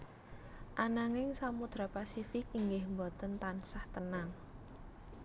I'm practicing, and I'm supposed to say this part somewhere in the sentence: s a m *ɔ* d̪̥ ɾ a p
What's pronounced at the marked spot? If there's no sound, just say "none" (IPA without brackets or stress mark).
u